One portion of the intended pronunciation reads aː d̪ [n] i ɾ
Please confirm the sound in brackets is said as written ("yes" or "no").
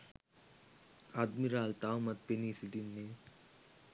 no